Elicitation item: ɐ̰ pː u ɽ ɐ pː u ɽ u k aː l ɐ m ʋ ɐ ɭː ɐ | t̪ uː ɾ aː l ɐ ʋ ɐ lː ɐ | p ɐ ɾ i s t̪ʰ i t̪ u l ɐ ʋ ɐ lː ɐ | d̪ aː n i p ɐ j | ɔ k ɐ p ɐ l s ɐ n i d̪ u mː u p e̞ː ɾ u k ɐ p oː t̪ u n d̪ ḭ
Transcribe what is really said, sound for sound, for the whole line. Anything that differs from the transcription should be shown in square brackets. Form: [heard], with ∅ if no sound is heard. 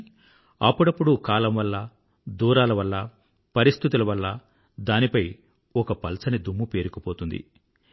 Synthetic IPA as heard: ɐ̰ pː u ɽ ɐ pː u ɽ u k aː l ɐ m ʋ ɐ [lː] ɐ | [d̪] uː ɾ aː l ɐ ʋ ɐ lː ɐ | p ɐ ɾ i s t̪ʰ i t̪ u l ɐ ʋ ɐ lː ɐ | d̪ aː n i p ɐ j | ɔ k ɐ p ɐ l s ɐ n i d̪ u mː u p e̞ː ɾ u k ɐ p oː t̪ u n d̪ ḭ